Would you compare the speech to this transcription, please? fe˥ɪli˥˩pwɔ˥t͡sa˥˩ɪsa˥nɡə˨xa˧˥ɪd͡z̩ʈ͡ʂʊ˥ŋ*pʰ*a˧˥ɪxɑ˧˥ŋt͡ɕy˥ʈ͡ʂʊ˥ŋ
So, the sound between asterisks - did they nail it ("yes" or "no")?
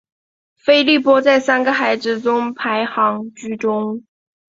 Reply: yes